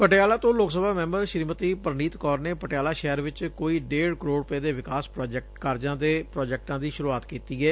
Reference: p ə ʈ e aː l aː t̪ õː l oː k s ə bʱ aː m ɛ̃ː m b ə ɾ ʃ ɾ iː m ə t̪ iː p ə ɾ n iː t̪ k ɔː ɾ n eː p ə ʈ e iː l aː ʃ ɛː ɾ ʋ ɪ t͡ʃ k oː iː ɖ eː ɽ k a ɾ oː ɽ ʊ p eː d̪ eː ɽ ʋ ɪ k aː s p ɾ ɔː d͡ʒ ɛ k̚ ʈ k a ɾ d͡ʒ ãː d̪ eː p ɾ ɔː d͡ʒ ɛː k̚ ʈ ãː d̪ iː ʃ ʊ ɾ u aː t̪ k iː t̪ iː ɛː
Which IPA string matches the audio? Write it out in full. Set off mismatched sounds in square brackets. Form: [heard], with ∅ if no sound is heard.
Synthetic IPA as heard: p ə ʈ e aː l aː t̪ õː l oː k s ə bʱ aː m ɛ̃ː m b ə ɾ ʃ ɾ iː m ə t̪ iː p ə ɾ n iː t̪ k ɔː ɾ n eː p ə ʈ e [aː] l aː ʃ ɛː ɾ ʋ ɪ t͡ʃ k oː iː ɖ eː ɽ k [ə] ɾ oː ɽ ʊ p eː d̪ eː [∅] ʋ ɪ k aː s p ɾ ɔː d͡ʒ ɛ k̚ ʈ k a ɾ d͡ʒ ãː d̪ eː p ɾ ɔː d͡ʒ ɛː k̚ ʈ ãː d̪ iː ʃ ʊ ɾ u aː t̪ k iː t̪ iː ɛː